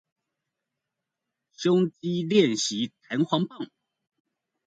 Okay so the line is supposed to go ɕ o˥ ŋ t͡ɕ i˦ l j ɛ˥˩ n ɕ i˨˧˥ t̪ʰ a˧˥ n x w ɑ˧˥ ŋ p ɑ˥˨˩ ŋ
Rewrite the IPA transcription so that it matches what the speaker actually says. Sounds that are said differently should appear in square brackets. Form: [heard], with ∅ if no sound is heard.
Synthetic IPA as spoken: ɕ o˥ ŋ t͡ɕ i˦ l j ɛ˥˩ n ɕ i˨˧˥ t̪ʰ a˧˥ n x w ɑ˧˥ ŋ p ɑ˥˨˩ ŋ